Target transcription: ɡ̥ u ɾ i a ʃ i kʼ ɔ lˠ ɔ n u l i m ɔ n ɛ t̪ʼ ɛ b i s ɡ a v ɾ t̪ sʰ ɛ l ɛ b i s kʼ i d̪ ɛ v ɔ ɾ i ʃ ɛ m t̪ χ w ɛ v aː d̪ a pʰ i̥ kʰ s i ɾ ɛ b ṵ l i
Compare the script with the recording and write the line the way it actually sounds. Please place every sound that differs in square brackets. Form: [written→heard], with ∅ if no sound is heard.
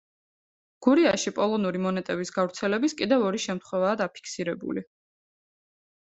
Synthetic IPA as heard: ɡ̥ u ɾ i a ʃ i [kʼ→pʼ] ɔ lˠ ɔ n u [l→ɾ] i m ɔ n ɛ t̪ʼ ɛ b i s ɡ a v ɾ t̪ sʰ ɛ l ɛ b i s kʼ i d̪ ɛ v ɔ ɾ i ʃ ɛ m t̪ χ w ɛ v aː d̪ a pʰ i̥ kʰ s i ɾ ɛ b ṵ l i